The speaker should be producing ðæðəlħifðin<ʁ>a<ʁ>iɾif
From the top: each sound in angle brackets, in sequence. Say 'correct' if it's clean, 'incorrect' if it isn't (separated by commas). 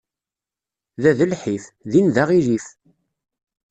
incorrect, correct